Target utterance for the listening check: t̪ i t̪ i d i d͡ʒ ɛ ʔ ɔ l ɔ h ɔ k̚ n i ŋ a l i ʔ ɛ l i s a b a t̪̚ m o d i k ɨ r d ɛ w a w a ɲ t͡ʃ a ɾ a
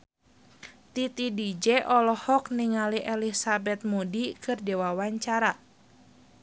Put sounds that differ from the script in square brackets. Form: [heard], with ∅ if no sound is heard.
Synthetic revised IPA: t̪ i t̪ i d i d͡ʒ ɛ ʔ ɔ l ɔ h ɔ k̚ n i ŋ a l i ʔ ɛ l i s a b [ɛ] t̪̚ m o d i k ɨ r d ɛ w a w a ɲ t͡ʃ a ɾ a